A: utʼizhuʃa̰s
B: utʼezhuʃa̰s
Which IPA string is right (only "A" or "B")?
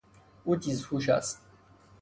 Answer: A